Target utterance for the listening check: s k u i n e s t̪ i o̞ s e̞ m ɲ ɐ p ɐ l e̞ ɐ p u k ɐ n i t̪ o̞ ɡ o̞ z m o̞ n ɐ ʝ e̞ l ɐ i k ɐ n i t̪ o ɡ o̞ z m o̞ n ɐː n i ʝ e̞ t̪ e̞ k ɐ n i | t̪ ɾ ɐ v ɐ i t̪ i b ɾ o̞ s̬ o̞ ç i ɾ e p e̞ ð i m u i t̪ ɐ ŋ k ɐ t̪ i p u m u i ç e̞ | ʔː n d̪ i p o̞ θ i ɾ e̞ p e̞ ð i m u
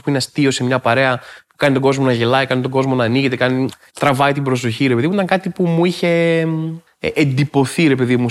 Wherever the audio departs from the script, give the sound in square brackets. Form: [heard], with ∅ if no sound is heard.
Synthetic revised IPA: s [p] u i n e s t̪ i o̞ s e̞ m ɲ ɐ p ɐ [ɾ] e̞ ɐ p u k ɐ n i t̪ o̞ ɡ o̞ z m o̞ n ɐ ʝ e̞ l ɐ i k ɐ n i t̪ o ɡ o̞ z m o̞ n ɐː n i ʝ e̞ t̪ e̞ k ɐ n i | t̪ ɾ ɐ v ɐ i t̪ i b ɾ o̞ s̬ o̞ ç i ɾ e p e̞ ð i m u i t̪ ɐ ŋ k ɐ t̪ i p u m u i ç e̞ | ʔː n d̪ i p o̞ θ i ɾ e̞ p e̞ ð i m u